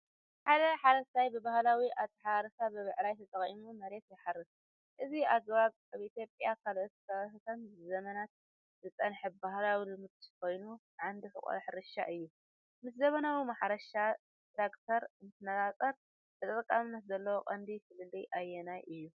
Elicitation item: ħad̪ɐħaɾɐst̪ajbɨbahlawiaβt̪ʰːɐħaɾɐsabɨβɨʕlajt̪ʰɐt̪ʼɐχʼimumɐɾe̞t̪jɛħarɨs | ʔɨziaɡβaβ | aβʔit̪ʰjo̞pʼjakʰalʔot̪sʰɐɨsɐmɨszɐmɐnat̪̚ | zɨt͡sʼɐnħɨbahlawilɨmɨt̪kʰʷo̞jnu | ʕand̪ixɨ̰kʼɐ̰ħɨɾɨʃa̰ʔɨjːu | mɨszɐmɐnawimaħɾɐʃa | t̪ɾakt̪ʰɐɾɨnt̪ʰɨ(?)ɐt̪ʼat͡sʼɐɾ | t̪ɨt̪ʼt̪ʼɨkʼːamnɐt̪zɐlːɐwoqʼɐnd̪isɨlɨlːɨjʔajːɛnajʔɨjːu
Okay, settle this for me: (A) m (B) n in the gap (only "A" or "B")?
B